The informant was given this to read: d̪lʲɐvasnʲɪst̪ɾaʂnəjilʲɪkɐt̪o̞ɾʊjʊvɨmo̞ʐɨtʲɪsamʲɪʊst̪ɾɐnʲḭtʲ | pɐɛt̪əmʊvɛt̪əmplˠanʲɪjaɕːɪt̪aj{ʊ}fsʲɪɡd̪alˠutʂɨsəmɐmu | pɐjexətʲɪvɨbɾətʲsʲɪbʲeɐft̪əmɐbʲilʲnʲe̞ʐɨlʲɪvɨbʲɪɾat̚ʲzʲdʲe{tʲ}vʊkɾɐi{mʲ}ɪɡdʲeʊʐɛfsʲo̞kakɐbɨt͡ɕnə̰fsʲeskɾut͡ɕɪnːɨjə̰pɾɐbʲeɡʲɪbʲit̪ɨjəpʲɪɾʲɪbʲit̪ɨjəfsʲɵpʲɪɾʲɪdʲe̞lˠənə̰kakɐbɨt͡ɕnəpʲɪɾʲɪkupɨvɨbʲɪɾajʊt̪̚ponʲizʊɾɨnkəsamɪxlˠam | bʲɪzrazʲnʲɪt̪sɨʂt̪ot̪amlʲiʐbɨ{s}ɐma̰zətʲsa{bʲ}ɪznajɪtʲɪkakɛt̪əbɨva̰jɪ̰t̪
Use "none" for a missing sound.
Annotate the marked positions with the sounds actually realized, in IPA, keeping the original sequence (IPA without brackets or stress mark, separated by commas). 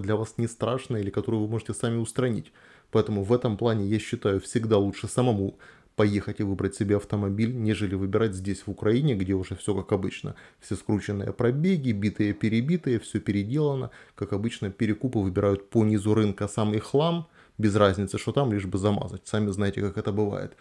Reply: ʊ, sʲ, nʲ, z, mʲ